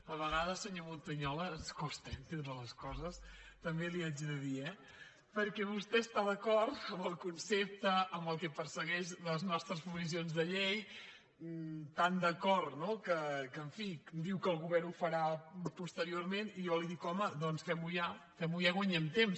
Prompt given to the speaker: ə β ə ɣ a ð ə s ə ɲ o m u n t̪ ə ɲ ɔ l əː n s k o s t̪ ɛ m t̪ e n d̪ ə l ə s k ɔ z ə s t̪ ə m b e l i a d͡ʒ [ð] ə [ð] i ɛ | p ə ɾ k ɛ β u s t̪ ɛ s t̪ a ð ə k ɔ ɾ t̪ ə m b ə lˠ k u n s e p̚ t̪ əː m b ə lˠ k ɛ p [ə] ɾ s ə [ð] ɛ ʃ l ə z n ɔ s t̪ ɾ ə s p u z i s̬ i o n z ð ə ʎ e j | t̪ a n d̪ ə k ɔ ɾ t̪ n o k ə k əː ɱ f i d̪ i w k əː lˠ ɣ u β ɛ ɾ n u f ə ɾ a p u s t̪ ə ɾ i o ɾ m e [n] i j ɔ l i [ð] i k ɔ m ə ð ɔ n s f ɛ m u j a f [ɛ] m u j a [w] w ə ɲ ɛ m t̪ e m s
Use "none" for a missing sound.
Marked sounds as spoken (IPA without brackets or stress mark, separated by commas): ð, ð, ə, ɣ, n, ð, ɛ, ɣ